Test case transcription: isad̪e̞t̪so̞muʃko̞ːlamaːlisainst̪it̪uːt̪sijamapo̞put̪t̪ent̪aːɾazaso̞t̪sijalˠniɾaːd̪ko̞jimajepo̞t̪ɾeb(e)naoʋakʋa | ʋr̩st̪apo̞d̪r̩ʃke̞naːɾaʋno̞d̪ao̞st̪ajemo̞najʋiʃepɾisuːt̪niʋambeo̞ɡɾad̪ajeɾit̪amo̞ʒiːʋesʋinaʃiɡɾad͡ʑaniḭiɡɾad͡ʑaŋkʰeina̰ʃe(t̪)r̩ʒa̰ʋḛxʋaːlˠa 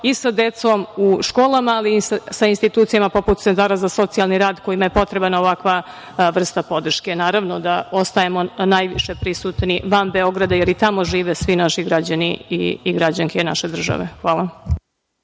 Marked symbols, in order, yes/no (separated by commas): no, no